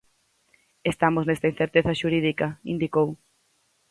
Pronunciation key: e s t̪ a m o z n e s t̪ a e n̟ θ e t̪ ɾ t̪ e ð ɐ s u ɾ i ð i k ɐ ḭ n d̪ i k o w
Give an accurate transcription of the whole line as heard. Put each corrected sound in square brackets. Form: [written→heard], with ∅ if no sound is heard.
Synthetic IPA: e s t̪ a m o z n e s t̪ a [e→i] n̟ θ e [t̪→∅] ɾ t̪ e [ð→θ] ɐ [s→ʃ] u ɾ i ð i k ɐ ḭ n d̪ i k o w